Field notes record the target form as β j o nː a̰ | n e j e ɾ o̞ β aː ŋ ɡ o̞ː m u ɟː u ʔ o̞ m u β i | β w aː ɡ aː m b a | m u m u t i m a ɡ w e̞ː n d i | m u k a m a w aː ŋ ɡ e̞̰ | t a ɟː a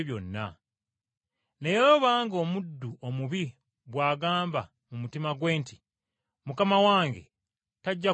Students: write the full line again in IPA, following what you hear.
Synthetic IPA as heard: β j o nː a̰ | n e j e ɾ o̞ β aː ŋ ɡ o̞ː m u dː u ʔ o̞ m u β i | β w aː ɡ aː m b a | m u m u t i m a ɡ w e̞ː n t i | m u k a m a w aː ŋ ɡ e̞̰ | t a ɟː a